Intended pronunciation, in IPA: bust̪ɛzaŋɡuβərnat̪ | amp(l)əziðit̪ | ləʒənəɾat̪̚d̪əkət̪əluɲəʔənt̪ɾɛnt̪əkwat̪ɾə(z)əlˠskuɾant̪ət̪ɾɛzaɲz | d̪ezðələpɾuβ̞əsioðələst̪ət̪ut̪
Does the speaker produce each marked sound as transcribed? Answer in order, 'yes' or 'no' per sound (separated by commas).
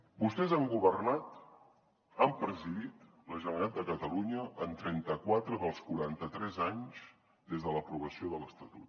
no, no